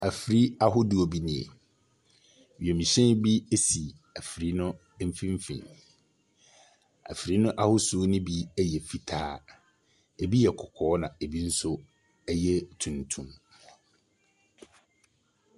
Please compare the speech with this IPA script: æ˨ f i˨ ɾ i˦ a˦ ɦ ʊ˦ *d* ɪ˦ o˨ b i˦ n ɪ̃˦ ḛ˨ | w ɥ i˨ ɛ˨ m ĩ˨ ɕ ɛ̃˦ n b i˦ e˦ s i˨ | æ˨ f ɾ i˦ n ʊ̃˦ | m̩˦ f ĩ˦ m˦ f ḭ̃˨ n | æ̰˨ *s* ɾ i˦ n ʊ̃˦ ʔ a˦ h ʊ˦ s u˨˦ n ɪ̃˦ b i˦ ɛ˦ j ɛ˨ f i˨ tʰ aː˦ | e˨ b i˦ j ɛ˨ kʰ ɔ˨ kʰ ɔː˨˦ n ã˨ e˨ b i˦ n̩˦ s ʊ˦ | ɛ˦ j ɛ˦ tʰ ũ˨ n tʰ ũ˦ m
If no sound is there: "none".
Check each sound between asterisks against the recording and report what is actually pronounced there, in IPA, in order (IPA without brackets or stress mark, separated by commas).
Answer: d, f